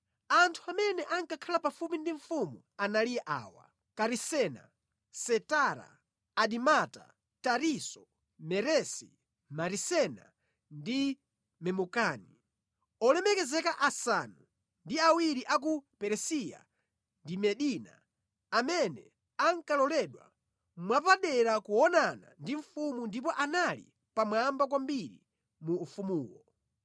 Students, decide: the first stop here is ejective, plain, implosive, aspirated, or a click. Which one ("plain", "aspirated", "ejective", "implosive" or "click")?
aspirated